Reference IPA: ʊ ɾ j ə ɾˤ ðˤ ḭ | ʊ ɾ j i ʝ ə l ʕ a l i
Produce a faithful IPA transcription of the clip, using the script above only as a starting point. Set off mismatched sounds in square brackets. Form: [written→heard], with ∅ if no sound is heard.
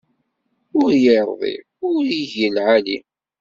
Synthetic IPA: ʊ ɾ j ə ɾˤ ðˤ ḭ | ʊ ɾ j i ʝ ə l ʕ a l i

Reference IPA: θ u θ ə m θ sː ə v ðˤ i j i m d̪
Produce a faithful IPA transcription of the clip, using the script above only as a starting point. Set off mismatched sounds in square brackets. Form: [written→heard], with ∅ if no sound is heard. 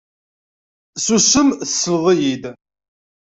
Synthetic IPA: [θ→s] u [θ→s] ə m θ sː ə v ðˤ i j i [m→∅] d̪

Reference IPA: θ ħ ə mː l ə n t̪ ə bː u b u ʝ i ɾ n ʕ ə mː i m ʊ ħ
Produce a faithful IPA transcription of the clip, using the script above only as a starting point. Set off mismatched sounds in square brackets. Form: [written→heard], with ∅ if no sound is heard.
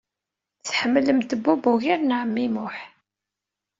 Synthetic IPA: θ ħ ə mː l ə [n→m] t̪ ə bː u b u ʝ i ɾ n ʕ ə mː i m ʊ ħ

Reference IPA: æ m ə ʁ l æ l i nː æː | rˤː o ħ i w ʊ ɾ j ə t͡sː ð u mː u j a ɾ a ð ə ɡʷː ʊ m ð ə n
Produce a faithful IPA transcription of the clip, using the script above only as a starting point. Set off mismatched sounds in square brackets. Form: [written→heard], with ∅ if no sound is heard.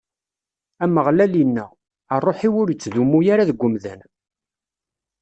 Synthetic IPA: æ m ə ʁ l æ l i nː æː | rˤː o ħ i w ʊ ɾ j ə t͡sː ð u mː u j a ɾ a ð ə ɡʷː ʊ m ð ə n

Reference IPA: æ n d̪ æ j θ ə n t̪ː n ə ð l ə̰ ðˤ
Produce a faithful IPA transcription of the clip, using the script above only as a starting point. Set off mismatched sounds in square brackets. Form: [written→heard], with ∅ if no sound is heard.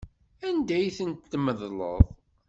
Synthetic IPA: æ n d̪ æ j θ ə n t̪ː [n→m] ə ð l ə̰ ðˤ

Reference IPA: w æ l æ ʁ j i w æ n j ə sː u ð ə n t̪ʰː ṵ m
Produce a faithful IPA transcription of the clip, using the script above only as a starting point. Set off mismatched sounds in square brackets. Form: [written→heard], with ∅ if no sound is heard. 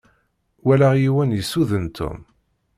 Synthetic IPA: w æ l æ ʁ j i w æ n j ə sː u ð ə n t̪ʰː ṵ m

